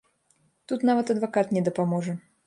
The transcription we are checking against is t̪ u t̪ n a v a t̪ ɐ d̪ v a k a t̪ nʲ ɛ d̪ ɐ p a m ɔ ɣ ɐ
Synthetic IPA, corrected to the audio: t̪ u t̪ n a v ɐ t̪ ɐ d̪ v a k a t̪ nʲ ɛ d̪ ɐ p a m ɔ ʐ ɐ